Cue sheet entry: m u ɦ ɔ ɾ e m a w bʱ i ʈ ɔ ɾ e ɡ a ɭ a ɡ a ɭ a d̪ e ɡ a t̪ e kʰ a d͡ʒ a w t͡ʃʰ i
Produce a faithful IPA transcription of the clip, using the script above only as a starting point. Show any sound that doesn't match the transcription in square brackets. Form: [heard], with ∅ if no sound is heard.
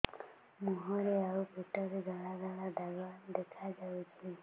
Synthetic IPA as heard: m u ɦ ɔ ɾ e [∅] a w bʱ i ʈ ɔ ɾ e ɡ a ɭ a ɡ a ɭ a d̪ [a] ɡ a [d̪] e kʰ a d͡ʒ a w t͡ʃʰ i